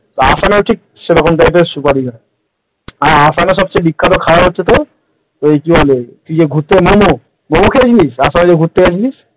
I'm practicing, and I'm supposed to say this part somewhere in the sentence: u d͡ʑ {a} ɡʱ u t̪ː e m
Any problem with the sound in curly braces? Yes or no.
yes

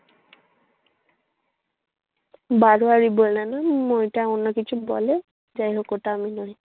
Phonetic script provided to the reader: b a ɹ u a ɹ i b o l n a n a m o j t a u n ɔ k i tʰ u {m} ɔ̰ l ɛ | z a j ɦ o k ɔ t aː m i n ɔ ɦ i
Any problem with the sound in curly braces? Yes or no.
yes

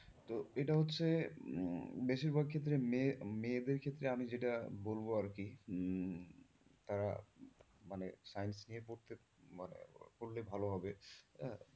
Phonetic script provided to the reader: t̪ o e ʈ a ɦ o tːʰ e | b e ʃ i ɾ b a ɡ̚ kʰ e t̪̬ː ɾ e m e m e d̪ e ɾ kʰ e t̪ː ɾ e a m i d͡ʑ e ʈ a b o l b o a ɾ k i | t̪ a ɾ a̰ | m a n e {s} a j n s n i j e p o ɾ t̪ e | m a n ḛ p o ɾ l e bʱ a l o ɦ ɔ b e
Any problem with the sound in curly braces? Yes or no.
no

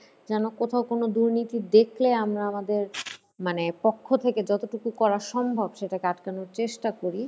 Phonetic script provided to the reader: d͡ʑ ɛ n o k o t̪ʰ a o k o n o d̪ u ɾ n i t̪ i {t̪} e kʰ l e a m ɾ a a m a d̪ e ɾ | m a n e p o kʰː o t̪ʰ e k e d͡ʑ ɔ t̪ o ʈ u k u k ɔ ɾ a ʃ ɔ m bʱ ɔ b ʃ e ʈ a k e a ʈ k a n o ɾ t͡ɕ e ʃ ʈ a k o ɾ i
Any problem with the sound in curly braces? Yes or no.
yes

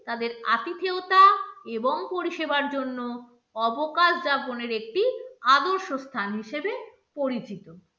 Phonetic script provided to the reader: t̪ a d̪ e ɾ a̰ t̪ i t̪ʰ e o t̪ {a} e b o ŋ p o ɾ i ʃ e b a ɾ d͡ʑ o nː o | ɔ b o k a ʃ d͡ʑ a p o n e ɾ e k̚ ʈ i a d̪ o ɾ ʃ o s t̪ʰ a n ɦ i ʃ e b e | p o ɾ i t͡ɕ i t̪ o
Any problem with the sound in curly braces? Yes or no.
no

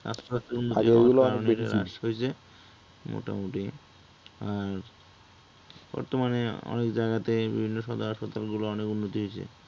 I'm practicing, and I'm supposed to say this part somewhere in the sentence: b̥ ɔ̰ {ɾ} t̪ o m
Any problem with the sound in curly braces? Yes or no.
no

